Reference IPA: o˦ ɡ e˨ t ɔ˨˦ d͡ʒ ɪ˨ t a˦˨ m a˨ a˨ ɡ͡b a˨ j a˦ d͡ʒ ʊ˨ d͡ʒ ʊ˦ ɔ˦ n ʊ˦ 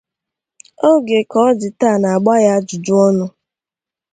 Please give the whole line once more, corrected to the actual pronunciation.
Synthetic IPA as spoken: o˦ ɡ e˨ k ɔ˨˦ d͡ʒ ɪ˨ t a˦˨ n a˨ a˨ ɡ͡b a˦ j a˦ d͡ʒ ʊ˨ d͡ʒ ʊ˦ ɔ˦ n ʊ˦